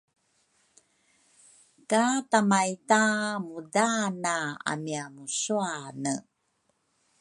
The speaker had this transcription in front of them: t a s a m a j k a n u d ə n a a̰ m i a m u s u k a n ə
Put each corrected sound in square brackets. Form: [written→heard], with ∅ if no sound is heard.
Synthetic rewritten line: [t→k] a [s→t] a m a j [k→t] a [n→m] u d [ə→a] n a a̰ m i a m u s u [k→∅] a n ə